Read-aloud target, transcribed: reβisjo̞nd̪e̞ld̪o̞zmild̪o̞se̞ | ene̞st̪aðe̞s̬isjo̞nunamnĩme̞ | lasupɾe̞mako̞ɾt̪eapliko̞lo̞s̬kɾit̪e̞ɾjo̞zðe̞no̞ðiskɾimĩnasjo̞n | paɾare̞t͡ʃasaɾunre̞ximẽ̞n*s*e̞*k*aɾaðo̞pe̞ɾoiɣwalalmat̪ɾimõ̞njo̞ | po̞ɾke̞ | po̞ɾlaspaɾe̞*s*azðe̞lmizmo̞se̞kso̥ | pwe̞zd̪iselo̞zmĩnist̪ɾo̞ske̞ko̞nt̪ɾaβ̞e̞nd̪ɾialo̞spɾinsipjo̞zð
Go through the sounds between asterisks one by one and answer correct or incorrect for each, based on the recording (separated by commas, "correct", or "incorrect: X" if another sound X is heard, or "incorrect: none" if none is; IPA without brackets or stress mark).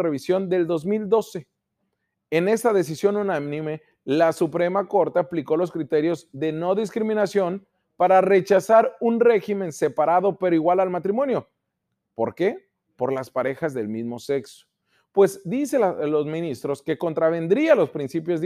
correct, incorrect: p, incorrect: x